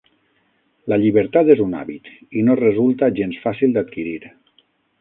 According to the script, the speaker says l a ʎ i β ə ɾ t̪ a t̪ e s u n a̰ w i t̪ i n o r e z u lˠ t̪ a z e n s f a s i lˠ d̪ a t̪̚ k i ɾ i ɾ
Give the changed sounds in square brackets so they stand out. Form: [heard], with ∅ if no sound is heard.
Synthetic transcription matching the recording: l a ʎ i β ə ɾ t̪ a t̪ e [z] u n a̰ [β] i t̪ i n o r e z u lˠ t̪ a [ʒ] e n s f a s i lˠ d̪ a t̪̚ k i ɾ i ɾ